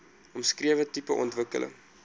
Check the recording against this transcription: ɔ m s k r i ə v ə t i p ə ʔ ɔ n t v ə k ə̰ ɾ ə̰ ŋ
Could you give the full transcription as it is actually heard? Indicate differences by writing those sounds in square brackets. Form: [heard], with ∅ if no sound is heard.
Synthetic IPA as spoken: ɔ m s k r i ə v ə t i p ə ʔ ɔ n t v ə k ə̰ [l] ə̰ ŋ